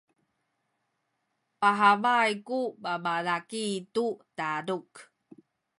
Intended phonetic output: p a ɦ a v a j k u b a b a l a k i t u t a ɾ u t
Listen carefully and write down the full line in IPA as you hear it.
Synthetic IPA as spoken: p a ɦ a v a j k u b a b a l a k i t u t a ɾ u k